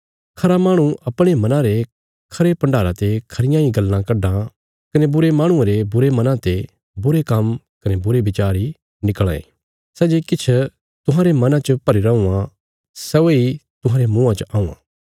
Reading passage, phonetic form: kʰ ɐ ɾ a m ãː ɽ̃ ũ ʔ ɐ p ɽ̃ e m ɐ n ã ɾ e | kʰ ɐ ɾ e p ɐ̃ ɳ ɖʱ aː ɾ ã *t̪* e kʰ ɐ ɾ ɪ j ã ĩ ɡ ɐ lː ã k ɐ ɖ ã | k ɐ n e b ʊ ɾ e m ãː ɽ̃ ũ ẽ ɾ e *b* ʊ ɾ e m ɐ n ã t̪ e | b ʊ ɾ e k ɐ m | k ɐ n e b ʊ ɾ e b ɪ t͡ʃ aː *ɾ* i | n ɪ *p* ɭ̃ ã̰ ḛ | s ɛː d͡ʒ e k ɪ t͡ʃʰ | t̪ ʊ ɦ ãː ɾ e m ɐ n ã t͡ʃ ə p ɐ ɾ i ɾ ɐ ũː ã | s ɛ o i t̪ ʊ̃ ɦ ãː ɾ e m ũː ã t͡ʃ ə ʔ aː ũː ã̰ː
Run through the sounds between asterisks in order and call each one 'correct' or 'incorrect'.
correct, correct, correct, incorrect

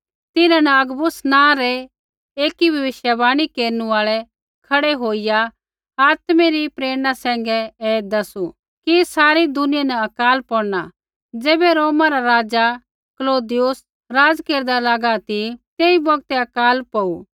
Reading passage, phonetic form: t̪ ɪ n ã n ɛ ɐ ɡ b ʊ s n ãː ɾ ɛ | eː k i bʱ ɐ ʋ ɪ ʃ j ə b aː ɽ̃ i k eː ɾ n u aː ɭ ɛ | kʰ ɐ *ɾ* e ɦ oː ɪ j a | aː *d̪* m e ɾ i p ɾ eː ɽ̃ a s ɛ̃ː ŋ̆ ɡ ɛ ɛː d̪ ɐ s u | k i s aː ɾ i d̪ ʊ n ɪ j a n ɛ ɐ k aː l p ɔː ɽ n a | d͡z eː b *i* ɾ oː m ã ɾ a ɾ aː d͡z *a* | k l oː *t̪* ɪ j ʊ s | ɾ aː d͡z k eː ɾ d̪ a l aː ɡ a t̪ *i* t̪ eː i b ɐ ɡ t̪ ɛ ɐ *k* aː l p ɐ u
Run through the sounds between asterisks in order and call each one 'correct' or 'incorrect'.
incorrect, incorrect, incorrect, correct, incorrect, correct, correct

